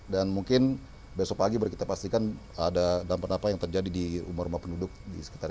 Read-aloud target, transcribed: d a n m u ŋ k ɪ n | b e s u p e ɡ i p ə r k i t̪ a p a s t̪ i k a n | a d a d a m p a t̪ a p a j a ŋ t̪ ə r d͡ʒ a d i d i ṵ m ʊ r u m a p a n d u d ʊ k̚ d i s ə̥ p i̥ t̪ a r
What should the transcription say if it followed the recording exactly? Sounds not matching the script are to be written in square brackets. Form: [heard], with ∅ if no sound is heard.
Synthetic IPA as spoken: d a n m u ŋ k ɪ n | b e s [ɔ] p [a] ɡ i [b] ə r k i t̪ a p a s t̪ i k a n | a d a d a m p a t̪ a p a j a ŋ t̪ ə r d͡ʒ a d i d i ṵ m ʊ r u m a p [ə] n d u d ʊ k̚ d i s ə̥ [k] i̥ t̪ a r